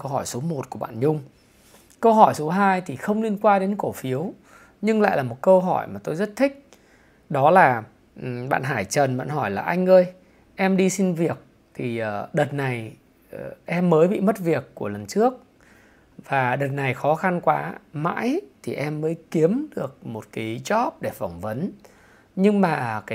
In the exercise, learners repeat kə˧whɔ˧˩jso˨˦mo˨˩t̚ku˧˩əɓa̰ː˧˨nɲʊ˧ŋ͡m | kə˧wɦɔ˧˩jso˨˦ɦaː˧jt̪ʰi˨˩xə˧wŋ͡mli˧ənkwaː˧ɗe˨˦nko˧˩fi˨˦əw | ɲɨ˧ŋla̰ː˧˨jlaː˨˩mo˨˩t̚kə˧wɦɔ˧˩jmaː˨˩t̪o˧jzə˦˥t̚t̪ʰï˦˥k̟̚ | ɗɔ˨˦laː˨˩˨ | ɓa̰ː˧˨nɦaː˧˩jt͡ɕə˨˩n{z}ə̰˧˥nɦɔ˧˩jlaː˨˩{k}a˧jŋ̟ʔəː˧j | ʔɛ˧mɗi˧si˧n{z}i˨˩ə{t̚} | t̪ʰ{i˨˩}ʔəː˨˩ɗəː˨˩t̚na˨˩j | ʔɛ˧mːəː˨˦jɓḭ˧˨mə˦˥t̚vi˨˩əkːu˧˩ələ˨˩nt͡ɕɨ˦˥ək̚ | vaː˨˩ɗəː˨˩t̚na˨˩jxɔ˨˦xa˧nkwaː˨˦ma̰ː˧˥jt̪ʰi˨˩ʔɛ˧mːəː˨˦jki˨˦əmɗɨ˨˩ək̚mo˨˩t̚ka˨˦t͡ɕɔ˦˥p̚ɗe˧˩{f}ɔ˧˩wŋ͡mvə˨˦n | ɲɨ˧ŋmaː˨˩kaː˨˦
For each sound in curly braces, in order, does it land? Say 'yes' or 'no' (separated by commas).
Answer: no, no, no, no, yes, yes